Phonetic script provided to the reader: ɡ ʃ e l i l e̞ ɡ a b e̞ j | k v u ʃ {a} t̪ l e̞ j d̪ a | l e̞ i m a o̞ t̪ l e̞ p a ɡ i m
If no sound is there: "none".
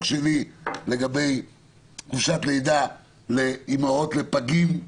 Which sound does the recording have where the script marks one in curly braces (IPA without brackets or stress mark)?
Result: a